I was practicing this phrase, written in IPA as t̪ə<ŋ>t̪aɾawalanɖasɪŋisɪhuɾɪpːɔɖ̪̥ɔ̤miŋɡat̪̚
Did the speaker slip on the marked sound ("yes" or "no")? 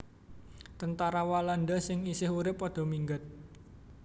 yes